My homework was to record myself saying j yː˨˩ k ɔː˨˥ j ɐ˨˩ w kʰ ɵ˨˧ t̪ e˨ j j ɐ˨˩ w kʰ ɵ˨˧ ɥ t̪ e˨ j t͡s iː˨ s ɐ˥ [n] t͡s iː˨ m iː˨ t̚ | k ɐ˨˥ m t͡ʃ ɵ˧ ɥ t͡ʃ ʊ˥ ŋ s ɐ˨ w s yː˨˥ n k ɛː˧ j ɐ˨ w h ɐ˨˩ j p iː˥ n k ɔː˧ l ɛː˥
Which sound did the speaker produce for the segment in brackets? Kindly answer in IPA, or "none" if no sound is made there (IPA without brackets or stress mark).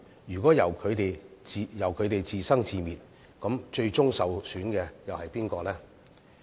ŋ